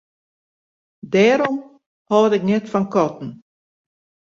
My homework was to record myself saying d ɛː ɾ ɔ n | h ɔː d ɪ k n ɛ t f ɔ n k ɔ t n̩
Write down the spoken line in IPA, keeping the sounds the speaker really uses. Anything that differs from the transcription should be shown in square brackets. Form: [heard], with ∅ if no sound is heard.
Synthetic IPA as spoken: d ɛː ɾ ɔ [m] | h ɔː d ɪ k n ɛ t f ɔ n k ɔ t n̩